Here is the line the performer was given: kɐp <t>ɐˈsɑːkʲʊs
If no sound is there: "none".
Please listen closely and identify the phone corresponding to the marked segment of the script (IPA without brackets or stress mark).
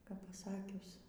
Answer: p